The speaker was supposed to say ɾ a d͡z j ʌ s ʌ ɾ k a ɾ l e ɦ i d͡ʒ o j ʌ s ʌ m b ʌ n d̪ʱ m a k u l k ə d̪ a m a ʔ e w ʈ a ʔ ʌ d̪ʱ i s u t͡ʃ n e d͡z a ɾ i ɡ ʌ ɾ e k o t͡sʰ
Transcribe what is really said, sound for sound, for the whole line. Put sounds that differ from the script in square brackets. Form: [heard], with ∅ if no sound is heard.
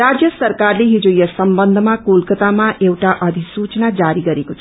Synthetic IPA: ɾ a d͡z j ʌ s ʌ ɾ k a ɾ l e ɦ i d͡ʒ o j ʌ s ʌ m b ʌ n d̪ʱ m a k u l k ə [t̪] a m a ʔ e w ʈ a ʔ ʌ d̪ʱ i s u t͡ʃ n [a] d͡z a ɾ i ɡ ʌ ɾ e k o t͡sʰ